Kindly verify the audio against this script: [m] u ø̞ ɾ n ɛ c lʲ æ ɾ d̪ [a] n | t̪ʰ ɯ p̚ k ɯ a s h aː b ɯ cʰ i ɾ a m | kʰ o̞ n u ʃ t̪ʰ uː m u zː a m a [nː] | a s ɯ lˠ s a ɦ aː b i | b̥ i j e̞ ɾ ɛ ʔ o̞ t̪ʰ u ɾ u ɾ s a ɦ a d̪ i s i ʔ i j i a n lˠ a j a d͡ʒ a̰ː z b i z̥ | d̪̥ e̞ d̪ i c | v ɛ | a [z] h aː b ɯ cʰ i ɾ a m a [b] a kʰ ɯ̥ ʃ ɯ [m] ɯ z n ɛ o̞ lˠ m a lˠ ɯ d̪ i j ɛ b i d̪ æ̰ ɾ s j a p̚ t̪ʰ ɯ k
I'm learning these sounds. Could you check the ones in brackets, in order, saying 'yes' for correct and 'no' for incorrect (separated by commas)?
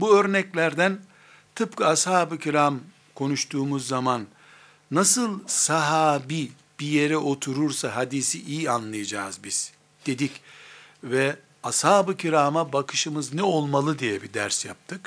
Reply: no, no, yes, no, yes, yes